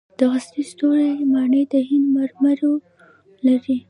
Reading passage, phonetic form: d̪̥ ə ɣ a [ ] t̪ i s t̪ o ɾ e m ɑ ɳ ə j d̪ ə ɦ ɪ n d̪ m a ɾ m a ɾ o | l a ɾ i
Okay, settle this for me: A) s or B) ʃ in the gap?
A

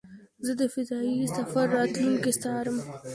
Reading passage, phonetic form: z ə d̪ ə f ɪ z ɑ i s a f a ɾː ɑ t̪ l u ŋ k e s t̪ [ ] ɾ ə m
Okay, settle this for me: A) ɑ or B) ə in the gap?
A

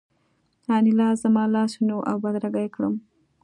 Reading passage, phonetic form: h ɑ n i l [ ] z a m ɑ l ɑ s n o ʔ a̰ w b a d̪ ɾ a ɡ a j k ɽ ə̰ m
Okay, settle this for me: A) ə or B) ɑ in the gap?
B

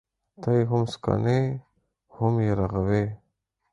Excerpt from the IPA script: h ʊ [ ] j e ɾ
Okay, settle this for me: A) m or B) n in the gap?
A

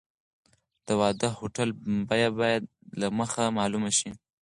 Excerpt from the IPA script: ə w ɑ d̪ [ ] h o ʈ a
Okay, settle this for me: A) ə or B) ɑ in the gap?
A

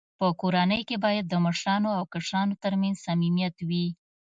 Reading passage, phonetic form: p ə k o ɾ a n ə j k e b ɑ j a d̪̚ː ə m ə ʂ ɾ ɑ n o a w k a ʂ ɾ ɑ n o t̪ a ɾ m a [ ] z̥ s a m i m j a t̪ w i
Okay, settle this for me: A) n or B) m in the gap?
A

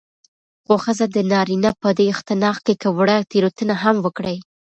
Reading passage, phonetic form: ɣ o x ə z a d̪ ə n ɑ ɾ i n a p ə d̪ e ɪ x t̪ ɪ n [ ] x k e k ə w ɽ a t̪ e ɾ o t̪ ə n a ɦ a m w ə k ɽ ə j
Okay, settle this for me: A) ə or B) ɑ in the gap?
B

